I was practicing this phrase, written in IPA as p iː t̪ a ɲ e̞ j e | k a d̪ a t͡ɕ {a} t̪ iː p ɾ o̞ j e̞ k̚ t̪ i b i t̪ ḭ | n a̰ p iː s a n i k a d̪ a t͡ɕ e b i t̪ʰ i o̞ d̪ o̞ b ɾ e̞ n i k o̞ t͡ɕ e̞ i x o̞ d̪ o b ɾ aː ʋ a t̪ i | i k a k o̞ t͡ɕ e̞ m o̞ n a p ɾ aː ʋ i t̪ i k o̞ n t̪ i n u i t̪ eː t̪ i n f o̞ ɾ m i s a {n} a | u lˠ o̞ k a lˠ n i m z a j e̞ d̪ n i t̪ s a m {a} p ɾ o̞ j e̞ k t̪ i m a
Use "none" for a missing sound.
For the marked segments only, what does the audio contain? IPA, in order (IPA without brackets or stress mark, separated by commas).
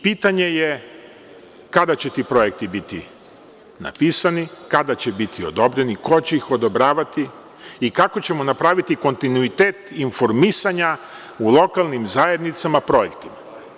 e, ɲ, a